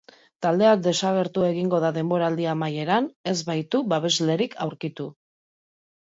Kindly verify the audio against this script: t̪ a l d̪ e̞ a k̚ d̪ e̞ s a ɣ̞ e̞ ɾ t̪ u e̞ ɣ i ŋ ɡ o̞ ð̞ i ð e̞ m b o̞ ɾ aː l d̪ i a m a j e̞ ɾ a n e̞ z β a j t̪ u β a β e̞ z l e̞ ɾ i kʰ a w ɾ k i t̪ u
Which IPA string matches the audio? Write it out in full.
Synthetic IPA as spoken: t̪ a l d̪ e̞ a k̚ d̪ e̞ s a ɣ̞ e̞ ɾ t̪ u e̞ ɣ i ŋ ɡ o̞ ð̞ a ð e̞ m b o̞ ɾ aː l d̪ i a m a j e̞ ɾ a n e̞ z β a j t̪ u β a β e̞ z l e̞ ɾ i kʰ a w ɾ k i t̪ u